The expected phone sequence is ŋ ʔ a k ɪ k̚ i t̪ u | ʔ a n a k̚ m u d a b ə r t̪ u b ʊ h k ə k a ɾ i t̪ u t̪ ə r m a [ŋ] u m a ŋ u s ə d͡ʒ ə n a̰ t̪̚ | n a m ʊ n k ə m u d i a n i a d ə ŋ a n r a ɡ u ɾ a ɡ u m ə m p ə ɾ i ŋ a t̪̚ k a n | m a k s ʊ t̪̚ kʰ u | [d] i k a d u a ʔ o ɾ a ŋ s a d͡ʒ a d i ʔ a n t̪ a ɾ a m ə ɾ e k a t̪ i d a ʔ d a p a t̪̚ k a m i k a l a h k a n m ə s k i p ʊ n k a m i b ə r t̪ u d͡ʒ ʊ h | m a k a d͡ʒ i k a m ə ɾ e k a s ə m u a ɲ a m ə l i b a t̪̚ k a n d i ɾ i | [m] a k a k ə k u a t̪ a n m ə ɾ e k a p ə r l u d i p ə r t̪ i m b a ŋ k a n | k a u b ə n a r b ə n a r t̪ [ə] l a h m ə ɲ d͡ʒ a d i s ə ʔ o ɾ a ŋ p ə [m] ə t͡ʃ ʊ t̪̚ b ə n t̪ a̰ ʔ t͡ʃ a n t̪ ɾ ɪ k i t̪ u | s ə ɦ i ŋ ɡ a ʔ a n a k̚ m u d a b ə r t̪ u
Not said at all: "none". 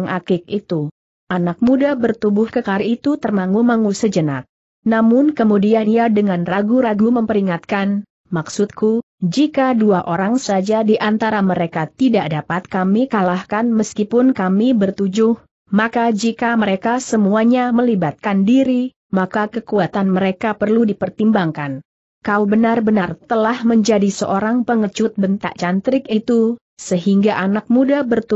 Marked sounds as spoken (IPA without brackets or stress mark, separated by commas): ŋ, d͡ʒ, m, ə, ŋ